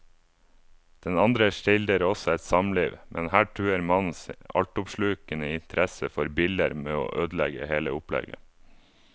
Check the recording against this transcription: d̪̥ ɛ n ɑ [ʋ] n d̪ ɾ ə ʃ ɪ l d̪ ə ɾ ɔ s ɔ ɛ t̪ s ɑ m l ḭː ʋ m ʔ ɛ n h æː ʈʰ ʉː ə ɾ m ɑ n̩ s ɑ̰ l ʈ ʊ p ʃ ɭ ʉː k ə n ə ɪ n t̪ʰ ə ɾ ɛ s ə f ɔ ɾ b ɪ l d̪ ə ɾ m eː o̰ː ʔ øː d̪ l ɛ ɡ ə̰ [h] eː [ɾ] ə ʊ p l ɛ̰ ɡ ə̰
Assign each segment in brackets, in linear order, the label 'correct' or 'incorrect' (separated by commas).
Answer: incorrect, correct, incorrect